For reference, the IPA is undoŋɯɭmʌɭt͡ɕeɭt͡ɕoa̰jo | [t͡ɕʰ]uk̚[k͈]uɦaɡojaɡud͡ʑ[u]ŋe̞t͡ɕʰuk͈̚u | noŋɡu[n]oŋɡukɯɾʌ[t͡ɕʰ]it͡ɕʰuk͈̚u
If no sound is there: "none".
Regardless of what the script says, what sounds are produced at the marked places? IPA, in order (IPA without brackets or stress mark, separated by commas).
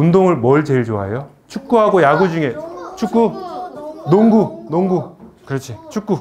t͡ɕʰ, k͈, u, n, t͡ɕʰ